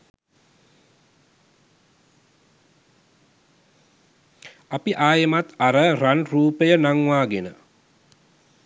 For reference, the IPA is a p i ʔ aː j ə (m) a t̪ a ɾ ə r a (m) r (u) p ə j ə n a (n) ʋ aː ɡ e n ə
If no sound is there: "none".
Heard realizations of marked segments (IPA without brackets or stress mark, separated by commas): m, n, uː, ŋ